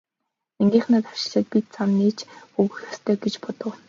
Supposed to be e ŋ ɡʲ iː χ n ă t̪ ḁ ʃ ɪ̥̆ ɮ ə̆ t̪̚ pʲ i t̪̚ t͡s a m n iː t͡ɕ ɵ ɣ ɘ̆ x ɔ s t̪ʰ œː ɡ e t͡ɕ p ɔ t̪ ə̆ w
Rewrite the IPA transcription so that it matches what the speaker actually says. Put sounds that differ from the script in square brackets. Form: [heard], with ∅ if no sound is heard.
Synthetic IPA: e ŋ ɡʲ iː χ n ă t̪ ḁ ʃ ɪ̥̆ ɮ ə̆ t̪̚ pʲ i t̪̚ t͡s a m n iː t͡ɕ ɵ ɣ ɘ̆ x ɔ s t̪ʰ œː ɡ e t͡ɕ p ɔ t̪ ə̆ w